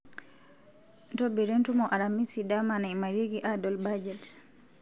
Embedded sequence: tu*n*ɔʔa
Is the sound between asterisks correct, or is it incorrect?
incorrect